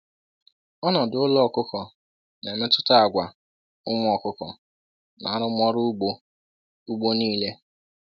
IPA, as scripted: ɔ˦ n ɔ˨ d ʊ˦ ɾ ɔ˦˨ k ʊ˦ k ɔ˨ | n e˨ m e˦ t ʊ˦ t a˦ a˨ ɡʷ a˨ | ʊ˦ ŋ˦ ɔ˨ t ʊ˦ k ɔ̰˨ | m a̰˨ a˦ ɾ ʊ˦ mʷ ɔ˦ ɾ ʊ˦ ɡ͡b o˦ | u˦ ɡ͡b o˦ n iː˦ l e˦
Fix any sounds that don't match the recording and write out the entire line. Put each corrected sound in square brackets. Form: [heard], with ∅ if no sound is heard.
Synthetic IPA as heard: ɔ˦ n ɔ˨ d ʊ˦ [l] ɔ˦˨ k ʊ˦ k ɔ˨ | n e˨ m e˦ t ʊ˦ t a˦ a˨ ɡʷ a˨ | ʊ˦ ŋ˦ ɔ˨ [k] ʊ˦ k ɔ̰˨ | [n] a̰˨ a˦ ɾ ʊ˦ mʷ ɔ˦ ɾ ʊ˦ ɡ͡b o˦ | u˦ ɡ͡b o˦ n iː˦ l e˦